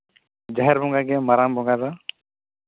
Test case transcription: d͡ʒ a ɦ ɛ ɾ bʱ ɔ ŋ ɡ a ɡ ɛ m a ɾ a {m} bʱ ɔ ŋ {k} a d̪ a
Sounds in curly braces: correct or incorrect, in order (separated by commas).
correct, incorrect